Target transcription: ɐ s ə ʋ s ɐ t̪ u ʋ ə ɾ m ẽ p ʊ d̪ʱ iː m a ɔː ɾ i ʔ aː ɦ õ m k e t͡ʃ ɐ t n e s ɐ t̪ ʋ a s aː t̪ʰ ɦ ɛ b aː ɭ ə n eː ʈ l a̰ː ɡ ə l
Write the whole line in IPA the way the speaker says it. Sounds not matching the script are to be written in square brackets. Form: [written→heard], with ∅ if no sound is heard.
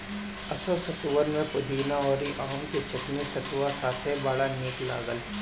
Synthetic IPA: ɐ s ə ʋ s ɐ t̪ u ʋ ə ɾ m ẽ p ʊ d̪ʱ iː [m→n] a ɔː ɾ i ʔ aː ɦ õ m k e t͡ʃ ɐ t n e s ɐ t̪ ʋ a s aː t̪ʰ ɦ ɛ b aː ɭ [ə→a] n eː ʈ l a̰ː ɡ ə l